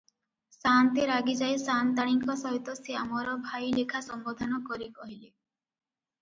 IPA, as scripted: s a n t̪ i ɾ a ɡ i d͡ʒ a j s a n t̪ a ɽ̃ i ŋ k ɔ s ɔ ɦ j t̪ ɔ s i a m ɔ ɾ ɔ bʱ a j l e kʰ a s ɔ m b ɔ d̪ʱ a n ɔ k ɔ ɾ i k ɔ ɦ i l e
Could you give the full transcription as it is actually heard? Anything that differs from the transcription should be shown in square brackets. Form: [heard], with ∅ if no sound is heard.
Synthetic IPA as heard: s a n t̪ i ɾ a ɡ i d͡ʒ a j s a n t̪ a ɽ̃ i ŋ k ɔ s ɔ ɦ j t̪ ɔ s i a m ɔ ɾ ɔ bʱ a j l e kʰ a s ɔ m b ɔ d̪ʱ a n ɔ k ɔ ɾ i k ɔ ɦ i l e